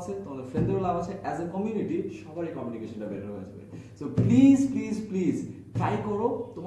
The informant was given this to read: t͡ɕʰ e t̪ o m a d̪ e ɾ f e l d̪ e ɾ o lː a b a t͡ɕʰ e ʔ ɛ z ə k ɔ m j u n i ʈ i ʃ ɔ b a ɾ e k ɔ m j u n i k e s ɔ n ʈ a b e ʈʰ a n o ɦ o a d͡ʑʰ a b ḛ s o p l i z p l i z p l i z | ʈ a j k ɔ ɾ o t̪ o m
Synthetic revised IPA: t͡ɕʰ e t̪ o m a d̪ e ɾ f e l d̪ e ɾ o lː a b a t͡ɕʰ e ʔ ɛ z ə k ɔ m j u n i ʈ i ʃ ɔ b a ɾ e k ɔ m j u n i k e ʃ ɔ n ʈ a b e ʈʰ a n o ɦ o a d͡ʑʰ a b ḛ s o p l i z p l i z p l i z | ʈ a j k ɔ ɾ o t̪ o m